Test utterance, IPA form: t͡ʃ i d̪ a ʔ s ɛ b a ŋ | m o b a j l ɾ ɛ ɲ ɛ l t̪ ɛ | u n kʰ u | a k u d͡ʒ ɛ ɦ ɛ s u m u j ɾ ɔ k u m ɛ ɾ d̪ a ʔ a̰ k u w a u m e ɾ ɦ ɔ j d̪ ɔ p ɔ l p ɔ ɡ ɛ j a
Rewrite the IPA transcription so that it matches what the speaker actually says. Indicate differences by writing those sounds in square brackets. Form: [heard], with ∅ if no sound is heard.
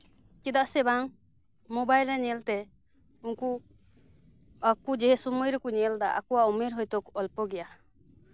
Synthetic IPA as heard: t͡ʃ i d̪ a ʔ s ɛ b a ŋ | m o b a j l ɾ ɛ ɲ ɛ l t̪ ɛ | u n [k] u | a k u d͡ʒ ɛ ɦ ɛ s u m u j ɾ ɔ k u [ɲ] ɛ [l] d̪ a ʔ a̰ k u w a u m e ɾ ɦ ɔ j [t̪] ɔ [k] ɔ l p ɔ ɡ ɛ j a